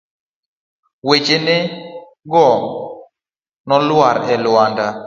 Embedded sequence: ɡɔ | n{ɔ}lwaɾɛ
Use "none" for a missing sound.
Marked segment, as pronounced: ɔ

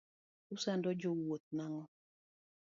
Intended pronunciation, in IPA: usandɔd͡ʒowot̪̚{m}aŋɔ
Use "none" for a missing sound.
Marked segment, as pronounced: n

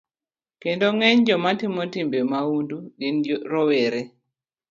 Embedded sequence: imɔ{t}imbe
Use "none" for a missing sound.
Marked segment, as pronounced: t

